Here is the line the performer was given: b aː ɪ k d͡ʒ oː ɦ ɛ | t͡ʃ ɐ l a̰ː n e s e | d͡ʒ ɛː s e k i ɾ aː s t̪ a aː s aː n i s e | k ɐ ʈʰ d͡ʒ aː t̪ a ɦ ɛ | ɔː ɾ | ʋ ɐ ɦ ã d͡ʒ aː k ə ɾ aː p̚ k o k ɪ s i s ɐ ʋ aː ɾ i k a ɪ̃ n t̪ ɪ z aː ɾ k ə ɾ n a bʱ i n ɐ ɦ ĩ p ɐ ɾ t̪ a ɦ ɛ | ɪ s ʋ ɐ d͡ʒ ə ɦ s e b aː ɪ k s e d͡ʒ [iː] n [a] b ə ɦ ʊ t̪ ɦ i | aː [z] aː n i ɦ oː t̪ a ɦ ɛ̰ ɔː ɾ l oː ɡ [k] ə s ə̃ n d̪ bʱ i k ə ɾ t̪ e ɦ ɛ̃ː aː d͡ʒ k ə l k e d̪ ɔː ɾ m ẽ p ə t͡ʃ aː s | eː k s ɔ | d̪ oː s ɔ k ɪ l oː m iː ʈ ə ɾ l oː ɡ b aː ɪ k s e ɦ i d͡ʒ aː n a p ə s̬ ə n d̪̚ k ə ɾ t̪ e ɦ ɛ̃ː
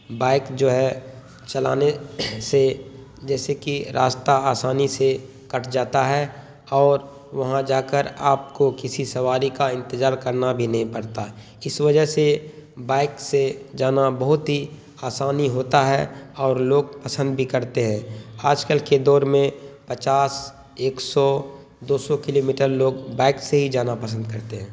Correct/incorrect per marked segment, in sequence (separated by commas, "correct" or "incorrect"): incorrect, correct, incorrect, incorrect